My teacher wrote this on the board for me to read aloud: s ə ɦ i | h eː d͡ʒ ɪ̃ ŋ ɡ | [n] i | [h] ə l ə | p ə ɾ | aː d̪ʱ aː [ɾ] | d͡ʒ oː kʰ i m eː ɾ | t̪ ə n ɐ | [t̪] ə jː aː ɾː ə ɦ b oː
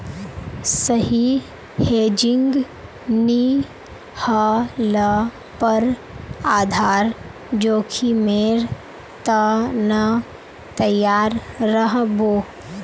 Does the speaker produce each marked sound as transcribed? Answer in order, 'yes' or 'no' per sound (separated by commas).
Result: yes, yes, yes, yes